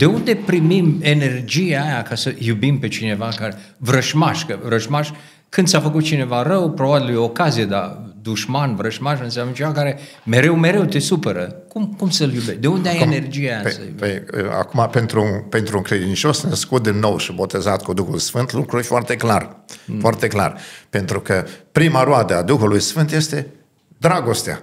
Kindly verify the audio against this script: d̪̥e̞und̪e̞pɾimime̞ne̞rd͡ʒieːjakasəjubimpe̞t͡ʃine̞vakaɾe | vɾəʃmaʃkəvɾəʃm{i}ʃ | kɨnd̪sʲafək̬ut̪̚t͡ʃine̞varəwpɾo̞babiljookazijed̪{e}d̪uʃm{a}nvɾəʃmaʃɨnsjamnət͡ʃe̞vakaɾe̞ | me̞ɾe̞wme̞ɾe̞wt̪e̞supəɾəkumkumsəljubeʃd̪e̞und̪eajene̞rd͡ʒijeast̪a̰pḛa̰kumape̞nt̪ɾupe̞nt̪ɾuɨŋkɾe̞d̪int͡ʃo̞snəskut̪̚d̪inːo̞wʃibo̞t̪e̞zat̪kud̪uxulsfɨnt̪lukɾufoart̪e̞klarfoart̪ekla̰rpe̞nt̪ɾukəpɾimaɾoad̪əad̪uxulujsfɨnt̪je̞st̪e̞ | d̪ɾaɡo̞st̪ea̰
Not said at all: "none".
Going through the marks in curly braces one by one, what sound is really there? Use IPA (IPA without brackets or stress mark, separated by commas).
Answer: a, a, a